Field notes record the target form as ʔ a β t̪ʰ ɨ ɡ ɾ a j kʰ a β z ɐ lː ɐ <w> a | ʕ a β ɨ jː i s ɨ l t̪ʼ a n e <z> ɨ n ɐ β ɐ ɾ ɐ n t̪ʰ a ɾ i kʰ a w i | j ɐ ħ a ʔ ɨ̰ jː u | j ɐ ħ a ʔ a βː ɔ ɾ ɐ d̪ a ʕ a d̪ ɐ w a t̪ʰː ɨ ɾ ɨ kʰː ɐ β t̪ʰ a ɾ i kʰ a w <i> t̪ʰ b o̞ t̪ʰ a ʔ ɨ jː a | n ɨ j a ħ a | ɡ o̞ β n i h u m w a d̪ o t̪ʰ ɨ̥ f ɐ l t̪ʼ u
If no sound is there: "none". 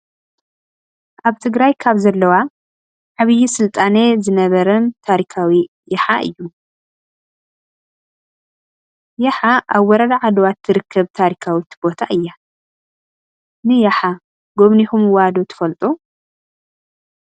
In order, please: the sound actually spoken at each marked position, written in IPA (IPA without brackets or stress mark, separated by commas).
w, z, i